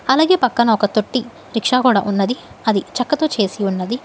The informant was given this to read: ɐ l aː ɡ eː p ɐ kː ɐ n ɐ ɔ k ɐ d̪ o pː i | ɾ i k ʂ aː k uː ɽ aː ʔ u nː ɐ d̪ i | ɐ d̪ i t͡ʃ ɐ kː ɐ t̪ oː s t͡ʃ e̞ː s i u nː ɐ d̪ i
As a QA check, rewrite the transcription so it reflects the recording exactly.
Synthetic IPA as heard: ɐ l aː ɡ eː p ɐ kː ɐ n ɐ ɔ k ɐ t̪ o ʈː i | ɾ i k ʂ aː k uː ɽ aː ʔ u nː ɐ d̪ i | ɐ d̪ i t͡ʃ ɐ kː ɐ t̪ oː t͡ʃ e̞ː s i u nː ɐ d̪ i